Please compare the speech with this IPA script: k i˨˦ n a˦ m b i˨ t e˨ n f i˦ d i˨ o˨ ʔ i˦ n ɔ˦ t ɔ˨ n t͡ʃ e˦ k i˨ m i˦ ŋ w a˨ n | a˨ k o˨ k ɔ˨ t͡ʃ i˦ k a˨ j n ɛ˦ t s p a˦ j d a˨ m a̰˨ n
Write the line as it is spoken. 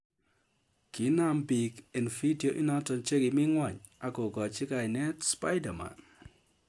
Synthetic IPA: k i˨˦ n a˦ m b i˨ k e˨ n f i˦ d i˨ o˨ ʔ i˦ n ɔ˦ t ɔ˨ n t͡ʃ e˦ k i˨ m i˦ ŋ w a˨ ɲ | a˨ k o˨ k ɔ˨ t͡ʃ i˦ k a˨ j n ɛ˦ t s p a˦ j d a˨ m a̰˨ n